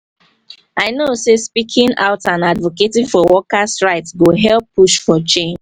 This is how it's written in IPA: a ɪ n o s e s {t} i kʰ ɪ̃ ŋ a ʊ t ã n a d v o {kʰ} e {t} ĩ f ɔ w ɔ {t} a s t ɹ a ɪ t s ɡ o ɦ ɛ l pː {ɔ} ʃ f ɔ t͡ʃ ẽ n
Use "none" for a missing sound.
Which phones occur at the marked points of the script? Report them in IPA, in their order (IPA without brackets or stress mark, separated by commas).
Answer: p, k, t, k, u